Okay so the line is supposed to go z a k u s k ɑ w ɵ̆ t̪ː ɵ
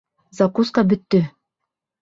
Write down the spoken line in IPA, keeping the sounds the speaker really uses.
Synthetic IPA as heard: z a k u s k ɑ b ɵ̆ t̪ː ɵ